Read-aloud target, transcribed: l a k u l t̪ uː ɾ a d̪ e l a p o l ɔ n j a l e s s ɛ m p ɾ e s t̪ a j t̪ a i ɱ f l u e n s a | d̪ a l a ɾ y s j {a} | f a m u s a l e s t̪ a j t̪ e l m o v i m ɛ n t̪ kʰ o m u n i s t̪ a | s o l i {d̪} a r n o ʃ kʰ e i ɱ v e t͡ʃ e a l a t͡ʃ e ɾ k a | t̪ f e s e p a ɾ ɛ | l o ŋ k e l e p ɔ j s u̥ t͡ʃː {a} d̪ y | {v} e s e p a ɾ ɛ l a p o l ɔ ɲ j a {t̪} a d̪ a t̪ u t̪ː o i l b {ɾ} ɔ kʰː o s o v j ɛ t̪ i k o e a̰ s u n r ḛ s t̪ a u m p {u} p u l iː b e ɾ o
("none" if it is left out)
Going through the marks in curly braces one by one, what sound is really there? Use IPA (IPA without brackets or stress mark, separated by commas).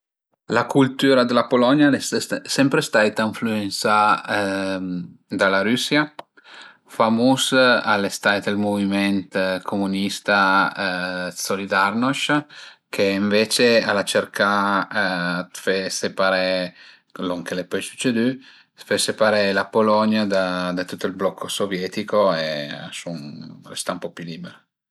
a, d̪, e, f, d̪, l, ɔ